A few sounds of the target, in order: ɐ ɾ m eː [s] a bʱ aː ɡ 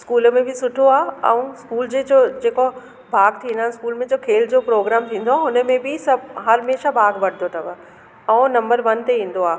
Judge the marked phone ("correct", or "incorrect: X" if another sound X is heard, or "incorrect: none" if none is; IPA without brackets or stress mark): incorrect: ʃ